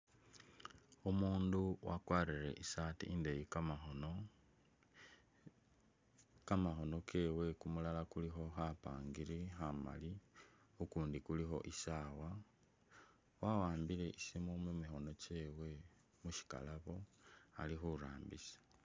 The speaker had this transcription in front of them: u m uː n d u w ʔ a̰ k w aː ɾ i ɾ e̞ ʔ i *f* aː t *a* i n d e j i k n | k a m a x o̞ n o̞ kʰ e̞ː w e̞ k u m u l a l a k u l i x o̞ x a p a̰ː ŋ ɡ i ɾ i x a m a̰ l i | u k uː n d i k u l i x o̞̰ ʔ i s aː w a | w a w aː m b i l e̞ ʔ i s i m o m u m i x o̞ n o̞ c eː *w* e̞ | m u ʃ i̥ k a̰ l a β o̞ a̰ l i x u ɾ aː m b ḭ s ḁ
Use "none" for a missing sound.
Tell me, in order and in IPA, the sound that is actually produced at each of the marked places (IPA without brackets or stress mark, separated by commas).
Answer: s, i, w